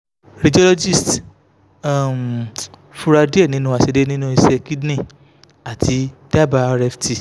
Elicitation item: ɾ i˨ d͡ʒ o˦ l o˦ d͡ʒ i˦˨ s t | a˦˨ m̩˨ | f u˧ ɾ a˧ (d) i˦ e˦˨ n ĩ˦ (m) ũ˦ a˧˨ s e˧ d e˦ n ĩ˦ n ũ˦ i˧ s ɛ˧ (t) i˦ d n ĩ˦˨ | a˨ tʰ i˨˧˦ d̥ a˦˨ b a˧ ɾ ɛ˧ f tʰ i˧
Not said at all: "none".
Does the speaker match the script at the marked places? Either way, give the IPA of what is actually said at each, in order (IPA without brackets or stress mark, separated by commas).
d, n, k